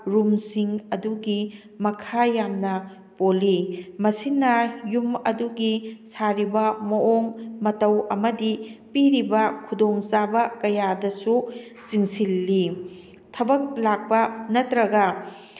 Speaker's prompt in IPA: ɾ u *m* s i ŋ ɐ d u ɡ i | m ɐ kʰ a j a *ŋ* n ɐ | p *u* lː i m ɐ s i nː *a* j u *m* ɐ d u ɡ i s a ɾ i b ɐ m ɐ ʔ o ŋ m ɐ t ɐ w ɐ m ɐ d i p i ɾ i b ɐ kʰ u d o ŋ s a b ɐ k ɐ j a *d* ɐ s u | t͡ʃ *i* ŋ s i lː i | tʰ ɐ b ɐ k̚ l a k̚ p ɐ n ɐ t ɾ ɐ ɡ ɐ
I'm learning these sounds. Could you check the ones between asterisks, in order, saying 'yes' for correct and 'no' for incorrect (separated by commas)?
yes, no, no, no, yes, yes, yes